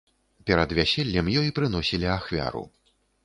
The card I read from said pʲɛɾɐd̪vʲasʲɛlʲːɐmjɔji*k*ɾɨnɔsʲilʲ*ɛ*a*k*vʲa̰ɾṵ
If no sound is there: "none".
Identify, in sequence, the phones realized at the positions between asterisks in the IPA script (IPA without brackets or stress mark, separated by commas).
p, i, x